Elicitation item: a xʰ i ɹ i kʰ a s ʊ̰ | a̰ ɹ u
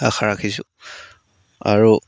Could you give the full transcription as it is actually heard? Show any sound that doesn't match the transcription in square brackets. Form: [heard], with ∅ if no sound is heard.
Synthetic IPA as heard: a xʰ [a] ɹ [a] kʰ [i] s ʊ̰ | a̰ ɹ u